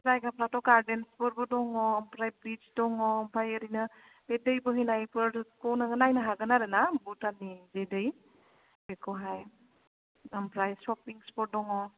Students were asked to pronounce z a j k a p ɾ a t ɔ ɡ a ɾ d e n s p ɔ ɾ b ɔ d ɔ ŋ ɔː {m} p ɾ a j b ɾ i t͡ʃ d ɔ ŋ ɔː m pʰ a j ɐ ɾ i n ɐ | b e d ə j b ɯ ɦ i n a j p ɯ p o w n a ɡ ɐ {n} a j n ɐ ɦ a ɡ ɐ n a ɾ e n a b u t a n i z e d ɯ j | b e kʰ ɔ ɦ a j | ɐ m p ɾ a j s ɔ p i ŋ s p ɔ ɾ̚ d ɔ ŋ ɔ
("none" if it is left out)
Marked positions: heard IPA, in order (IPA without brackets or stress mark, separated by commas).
m, n